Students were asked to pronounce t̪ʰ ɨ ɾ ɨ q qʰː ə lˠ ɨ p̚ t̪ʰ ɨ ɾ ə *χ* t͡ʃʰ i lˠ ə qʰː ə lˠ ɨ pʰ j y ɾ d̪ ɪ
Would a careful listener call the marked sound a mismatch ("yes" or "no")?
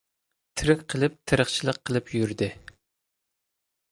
no